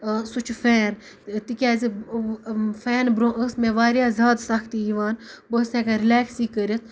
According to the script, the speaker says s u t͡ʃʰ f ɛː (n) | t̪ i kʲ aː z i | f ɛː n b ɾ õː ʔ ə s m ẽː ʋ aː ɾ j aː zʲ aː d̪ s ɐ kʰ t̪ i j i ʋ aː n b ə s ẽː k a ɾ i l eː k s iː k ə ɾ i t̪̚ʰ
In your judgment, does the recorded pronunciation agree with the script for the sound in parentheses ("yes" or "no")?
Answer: yes